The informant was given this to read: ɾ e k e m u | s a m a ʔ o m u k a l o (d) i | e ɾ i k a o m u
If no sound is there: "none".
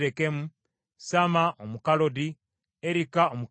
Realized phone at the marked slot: d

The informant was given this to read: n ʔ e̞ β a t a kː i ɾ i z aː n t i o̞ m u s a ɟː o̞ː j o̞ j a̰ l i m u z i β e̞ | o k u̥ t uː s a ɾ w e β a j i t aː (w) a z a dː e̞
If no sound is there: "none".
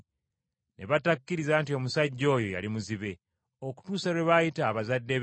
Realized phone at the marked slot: β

